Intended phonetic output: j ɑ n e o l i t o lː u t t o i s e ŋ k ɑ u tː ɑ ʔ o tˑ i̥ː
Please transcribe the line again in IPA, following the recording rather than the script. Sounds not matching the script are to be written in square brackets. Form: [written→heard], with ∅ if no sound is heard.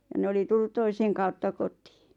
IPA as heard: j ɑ n e o l i t [o→u] lː u t t o i s e ŋ k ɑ u tː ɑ [ʔ→k] o tˑ i̥ː